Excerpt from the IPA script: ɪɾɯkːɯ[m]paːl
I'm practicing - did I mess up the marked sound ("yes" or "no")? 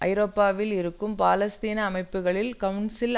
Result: no